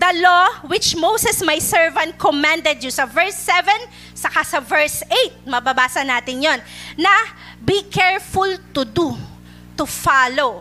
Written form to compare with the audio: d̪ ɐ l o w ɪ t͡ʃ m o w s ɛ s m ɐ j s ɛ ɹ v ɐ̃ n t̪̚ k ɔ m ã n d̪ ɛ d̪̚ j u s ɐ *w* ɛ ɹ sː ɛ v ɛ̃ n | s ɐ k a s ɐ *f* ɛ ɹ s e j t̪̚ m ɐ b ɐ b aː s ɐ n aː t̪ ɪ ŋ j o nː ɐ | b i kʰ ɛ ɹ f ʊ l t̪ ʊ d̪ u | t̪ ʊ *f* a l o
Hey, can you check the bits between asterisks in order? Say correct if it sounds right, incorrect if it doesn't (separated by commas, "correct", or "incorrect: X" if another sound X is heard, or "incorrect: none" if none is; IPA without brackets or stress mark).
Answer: incorrect: v, incorrect: v, correct